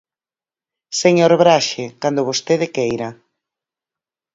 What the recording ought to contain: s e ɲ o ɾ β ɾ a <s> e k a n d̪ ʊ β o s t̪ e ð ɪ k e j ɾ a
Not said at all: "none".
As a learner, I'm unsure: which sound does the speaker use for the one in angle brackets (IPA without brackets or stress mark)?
ʃ